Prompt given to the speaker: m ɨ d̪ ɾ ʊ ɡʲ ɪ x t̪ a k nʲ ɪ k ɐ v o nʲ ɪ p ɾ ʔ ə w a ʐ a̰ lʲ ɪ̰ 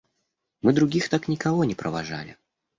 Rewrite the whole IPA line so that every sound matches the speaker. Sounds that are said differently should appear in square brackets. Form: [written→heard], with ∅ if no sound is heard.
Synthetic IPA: m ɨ d̪ ɾ ʊ ɡʲ [ɪ→i] x t̪ a k nʲ ɪ k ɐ v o nʲ ɪ p ɾ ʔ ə [w→v] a ʐ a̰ lʲ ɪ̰